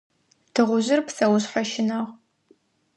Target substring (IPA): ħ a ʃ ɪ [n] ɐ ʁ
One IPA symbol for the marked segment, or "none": n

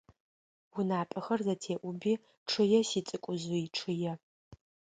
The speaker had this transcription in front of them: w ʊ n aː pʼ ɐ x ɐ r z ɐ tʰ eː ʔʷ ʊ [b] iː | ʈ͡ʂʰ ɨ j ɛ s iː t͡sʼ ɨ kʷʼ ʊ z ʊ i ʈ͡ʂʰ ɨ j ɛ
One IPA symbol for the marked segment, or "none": b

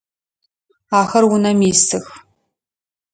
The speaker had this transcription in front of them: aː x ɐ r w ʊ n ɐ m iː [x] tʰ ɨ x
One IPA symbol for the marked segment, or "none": s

